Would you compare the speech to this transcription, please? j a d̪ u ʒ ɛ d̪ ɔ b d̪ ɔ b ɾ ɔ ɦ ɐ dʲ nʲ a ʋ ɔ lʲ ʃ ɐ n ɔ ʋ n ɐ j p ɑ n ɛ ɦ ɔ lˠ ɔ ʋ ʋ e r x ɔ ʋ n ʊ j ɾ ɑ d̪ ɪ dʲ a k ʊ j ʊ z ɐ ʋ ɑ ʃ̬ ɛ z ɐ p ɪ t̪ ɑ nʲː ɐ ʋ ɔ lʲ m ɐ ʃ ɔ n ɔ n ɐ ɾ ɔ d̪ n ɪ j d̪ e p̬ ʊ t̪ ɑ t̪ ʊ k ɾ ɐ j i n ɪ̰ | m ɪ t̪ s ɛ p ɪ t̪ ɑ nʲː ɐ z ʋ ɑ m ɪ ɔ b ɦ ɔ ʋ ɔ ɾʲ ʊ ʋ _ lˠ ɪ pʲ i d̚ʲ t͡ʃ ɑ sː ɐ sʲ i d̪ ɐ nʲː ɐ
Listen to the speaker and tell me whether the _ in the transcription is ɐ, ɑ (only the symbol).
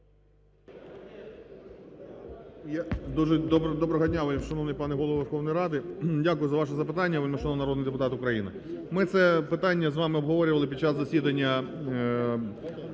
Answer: ɐ